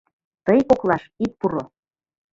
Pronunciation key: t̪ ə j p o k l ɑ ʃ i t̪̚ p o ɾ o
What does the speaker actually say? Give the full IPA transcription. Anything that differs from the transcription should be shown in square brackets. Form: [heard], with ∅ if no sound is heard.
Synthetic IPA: t̪ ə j [k] o k l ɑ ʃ i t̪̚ p [u] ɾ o